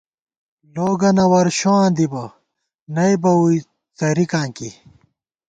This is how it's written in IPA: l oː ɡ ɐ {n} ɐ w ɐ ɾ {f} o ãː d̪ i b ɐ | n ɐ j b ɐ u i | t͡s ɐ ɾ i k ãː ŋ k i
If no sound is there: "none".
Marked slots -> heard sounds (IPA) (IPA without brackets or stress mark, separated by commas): n, ɕ